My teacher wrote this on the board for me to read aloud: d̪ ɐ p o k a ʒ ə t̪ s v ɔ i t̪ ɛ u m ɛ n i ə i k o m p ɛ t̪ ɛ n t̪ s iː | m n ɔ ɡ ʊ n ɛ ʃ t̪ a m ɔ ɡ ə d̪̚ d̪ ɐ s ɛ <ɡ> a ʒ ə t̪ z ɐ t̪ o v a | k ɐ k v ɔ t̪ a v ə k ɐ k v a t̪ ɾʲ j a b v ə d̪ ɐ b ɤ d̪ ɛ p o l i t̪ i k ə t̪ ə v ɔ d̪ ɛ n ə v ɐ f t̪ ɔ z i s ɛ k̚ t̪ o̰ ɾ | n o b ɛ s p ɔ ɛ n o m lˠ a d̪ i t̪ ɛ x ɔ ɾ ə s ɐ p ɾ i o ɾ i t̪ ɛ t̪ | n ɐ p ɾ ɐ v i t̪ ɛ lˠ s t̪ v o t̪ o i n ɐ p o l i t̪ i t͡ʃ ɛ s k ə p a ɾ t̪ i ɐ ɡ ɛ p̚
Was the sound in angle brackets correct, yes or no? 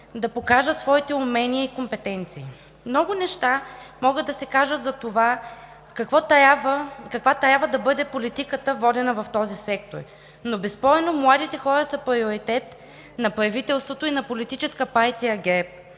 no